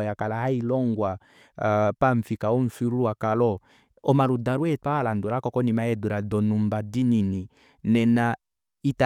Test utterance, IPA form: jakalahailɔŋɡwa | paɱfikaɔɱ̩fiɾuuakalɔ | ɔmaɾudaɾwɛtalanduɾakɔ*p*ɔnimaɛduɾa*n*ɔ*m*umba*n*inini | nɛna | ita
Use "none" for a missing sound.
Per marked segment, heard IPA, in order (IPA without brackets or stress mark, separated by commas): k, d, n, d